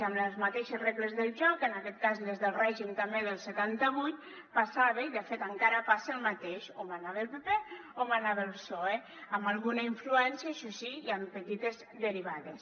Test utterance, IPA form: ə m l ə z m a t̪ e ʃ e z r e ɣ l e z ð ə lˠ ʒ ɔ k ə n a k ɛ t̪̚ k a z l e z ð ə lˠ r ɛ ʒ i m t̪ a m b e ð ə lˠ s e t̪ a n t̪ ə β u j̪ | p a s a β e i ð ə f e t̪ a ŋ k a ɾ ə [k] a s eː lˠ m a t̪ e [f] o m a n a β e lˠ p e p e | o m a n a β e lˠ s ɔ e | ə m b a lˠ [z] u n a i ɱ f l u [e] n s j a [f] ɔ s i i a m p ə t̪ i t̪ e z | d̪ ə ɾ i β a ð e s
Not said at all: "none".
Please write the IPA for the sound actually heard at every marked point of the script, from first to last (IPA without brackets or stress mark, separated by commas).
p, ʃ, ɣ, ɛ, ʃ